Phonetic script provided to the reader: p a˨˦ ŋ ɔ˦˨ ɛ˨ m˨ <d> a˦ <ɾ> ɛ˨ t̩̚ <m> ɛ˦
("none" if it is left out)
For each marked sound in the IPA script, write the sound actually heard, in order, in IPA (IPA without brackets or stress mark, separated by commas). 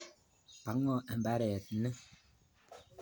b, ɾ, n